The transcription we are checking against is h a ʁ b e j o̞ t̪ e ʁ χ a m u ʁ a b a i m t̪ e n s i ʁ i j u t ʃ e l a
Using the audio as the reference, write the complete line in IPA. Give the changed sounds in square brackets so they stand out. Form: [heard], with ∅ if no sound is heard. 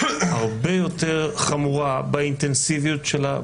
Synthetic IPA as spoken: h a ʁ b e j o̞ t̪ e ʁ χ a m u ʁ a b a i [n] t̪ e n s i [v] i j u t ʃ e l a